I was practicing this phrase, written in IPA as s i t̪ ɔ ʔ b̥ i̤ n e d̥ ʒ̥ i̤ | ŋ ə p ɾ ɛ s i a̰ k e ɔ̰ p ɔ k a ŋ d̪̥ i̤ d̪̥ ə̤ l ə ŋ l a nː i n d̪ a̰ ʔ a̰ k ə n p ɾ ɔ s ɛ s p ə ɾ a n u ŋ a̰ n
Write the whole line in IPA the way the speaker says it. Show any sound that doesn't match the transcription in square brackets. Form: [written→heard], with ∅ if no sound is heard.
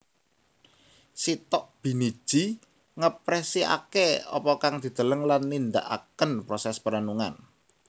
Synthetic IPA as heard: s i t̪ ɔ ʔ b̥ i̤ n [e→i] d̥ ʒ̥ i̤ | ŋ ə p ɾ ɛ s i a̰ k e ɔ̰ p ɔ k a ŋ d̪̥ i̤ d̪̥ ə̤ l ə ŋ l a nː i n d̪ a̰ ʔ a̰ k ə n p ɾ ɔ s ɛ s p ə ɾ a n u ŋ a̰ n